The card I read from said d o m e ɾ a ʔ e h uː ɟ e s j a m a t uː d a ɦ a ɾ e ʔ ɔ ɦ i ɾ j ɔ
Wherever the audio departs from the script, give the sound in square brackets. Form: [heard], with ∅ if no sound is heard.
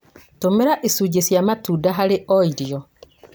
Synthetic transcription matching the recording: [t] o m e ɾ a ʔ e [s] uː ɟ e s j a m a t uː d a ɦ a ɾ e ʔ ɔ [∅] i ɾ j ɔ